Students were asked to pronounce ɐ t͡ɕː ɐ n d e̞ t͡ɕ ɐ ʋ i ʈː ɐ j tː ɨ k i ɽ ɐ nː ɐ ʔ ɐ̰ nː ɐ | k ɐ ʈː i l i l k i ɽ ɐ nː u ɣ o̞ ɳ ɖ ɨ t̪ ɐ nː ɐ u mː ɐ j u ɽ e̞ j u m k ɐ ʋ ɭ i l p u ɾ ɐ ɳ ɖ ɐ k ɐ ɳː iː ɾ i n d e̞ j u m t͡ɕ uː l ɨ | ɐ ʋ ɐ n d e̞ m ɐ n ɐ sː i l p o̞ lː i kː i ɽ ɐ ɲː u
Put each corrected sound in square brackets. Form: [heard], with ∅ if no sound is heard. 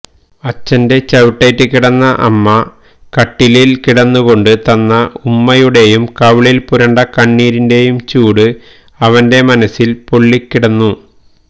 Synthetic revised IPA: ɐ t͡ɕː ɐ n d e̞ t͡ɕ ɐ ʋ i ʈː ɐ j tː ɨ k i ɽ ɐ nː ɐ ʔ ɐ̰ [mː] ɐ | k ɐ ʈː i l i l k i ɽ ɐ nː u ɣ o̞ ɳ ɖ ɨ t̪ ɐ nː ɐ u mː ɐ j u ɽ e̞ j u m k ɐ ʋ ɭ i l p u ɾ ɐ ɳ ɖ ɐ k ɐ ɳː iː ɾ i n d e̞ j u m t͡ɕ uː [ɽ] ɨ | ɐ ʋ ɐ n d e̞ m ɐ n ɐ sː i l p o̞ [ɭː] i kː i ɽ ɐ [nː] u